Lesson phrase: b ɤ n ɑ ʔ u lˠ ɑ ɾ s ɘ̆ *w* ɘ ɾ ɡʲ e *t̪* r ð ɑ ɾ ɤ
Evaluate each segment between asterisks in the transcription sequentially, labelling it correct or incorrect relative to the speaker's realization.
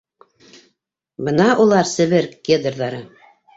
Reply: incorrect: β, incorrect: d̪

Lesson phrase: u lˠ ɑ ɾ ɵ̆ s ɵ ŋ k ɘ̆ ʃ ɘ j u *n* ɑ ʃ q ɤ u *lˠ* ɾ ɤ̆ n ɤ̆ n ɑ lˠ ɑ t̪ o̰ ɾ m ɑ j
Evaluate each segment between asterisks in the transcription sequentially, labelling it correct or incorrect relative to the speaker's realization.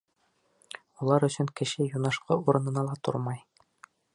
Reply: correct, incorrect: none

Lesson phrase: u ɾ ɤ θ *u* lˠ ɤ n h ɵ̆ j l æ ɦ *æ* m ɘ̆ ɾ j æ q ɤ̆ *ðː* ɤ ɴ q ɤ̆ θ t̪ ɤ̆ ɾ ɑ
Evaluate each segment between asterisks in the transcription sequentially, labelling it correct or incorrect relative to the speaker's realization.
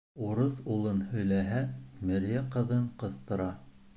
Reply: correct, correct, incorrect: ð

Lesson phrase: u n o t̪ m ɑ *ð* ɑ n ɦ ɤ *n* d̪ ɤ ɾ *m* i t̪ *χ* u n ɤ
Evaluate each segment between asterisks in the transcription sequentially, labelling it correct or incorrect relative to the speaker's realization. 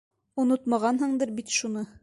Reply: incorrect: ʁ, incorrect: ɴ, incorrect: b, incorrect: ʃ

